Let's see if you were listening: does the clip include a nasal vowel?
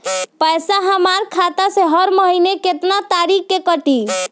no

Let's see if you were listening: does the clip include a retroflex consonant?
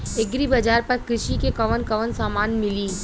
no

